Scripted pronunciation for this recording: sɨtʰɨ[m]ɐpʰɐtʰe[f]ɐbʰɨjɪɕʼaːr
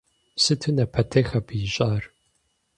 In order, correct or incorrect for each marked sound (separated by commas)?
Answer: incorrect, incorrect